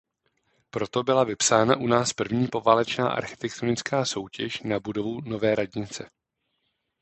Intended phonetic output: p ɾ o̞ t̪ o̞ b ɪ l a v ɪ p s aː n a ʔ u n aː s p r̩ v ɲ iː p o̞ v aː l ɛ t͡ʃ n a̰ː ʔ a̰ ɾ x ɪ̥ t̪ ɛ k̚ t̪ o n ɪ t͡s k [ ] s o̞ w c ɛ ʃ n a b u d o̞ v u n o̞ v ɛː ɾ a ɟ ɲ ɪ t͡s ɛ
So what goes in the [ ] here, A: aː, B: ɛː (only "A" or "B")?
A